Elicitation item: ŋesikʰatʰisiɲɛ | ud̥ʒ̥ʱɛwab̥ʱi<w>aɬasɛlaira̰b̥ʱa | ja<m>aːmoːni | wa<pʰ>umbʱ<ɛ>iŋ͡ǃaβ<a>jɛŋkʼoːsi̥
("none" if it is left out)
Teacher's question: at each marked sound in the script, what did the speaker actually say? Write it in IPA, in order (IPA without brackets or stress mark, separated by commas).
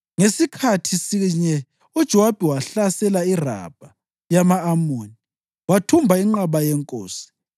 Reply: w, m, tʰ, a, a